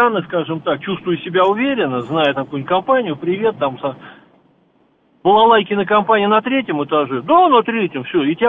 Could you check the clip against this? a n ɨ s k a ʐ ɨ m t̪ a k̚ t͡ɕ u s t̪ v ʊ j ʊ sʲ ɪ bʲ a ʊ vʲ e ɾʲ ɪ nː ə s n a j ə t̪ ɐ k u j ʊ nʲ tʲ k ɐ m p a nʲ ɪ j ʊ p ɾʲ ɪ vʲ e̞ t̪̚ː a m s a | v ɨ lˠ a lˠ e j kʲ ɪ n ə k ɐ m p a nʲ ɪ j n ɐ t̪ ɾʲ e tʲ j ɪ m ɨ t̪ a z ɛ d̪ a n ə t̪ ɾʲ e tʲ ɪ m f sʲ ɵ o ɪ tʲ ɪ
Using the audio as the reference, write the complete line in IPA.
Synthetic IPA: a n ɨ s k a ʐ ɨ m t̪ a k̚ t͡ɕ u s t̪ v ʊ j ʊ sʲ ɪ bʲ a ʊ vʲ e ɾʲ ɪ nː ə z n a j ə t̪ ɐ k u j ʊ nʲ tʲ k ɐ m p a nʲ ɪ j ʊ p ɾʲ ɪ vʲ e̞ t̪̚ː a m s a | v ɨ lˠ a lˠ a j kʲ ɪ n ə k ɐ m p a nʲ ɪ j n ɐ t̪ ɾʲ e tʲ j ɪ m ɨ t̪ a ʐ ɛ d̪ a n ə t̪ ɾʲ e tʲ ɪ m f sʲ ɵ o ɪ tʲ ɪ